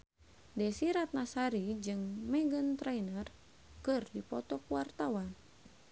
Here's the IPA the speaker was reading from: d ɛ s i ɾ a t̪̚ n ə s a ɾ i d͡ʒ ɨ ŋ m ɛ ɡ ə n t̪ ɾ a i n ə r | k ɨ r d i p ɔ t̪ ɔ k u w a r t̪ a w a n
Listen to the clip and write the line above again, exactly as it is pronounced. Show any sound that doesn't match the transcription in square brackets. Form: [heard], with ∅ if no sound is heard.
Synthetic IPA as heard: d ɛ s i ɾ a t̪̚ n [a] s a ɾ i d͡ʒ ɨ ŋ m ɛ ɡ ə n t̪ ɾ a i n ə r | k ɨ r d i p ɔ t̪ ɔ k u w a r t̪ a w a n